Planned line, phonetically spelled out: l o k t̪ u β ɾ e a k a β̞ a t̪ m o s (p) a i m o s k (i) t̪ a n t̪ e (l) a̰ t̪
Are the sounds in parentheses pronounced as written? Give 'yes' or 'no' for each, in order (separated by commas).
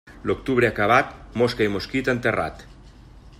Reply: no, yes, no